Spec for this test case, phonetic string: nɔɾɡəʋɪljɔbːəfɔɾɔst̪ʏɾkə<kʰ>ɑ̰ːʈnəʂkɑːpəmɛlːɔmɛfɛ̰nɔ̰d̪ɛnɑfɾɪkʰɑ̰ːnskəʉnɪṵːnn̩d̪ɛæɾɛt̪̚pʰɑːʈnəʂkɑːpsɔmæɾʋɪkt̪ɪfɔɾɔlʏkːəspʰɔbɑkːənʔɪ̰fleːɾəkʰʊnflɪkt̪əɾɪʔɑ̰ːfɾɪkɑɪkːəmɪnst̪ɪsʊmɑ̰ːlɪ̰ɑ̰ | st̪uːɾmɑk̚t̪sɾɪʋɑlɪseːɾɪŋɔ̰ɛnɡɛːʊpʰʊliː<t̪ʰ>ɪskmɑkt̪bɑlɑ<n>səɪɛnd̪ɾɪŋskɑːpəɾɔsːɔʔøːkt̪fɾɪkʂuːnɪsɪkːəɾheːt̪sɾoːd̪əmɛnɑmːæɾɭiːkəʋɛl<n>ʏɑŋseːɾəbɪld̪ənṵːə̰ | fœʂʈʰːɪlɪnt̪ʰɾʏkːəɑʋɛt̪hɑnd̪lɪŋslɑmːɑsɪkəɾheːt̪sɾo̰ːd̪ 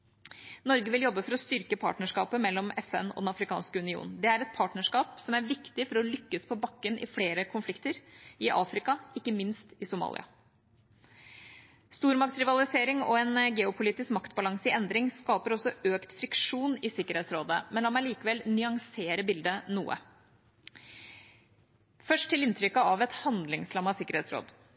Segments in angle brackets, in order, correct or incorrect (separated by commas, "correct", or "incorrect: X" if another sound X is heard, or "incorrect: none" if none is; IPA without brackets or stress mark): incorrect: pʰ, incorrect: t̪, incorrect: ŋ, correct